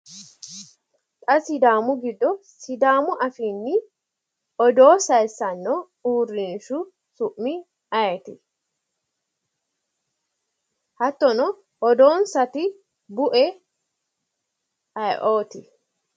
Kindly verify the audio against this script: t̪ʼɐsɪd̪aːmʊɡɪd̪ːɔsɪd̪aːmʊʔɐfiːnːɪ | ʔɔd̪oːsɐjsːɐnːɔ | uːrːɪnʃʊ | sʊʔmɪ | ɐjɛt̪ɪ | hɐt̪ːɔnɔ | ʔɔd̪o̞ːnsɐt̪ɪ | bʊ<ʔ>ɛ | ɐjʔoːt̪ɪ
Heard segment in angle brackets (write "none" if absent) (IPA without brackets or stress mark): ʔ